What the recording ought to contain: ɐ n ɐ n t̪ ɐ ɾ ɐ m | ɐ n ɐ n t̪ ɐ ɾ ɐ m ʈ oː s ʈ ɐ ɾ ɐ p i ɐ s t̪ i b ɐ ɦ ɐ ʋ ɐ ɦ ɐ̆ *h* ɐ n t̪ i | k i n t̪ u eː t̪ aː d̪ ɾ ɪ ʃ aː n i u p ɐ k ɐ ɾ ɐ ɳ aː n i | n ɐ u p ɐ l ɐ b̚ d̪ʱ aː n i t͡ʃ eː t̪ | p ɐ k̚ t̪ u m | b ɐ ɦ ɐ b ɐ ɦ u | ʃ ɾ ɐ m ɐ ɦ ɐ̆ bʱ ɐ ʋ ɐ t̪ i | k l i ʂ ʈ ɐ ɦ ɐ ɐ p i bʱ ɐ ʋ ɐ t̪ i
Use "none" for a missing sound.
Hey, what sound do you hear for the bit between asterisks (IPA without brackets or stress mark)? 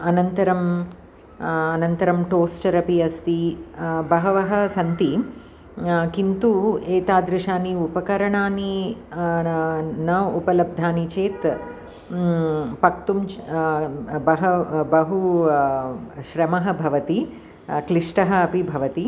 s